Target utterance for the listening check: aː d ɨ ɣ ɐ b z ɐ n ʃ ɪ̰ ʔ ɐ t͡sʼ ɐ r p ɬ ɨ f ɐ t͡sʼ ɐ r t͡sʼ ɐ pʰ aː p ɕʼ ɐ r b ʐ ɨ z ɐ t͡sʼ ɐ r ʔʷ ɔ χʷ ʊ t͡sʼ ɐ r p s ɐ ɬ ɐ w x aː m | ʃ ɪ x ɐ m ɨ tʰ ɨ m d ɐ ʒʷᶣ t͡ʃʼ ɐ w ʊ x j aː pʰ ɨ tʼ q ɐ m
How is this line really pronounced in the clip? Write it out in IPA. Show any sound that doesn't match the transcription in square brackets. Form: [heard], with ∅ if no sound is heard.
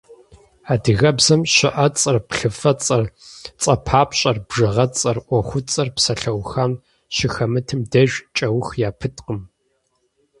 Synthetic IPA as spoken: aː d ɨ ɣ ɐ b z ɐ [m] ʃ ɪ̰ ʔ ɐ t͡sʼ ɐ r p ɬ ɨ f ɐ t͡sʼ ɐ r t͡sʼ ɐ pʰ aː p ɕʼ ɐ r b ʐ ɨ [ʁ] ɐ t͡sʼ ɐ r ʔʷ ɔ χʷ ʊ t͡sʼ ɐ r p s ɐ ɬ ɐ w x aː m | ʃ ɪ x ɐ m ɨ tʰ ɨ m d ɐ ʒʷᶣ t͡ʃʼ ɐ w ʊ x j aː pʰ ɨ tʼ q [ə] m